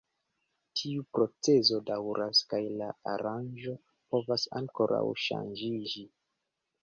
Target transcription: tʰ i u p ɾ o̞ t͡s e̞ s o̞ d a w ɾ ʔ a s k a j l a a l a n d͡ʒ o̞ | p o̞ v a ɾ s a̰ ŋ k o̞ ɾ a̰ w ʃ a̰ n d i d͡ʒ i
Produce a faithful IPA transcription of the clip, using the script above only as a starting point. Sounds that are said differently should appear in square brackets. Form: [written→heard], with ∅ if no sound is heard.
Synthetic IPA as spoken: tʰ i u p ɾ o̞ t͡s e̞ [s→z] o̞ d a w ɾ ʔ a s k a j l a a [l→ɾ] a n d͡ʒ o̞ | p o̞ v a [ɾ→∅] s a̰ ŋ k o̞ ɾ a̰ w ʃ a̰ n [d→d͡ʒ] i d͡ʒ i